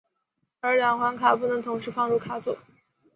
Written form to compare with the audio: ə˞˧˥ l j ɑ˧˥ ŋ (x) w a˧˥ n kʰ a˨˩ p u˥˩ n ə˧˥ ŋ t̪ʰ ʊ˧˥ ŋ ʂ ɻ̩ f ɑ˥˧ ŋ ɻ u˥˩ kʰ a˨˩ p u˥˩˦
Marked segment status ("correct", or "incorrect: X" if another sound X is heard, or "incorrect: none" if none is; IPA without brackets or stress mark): correct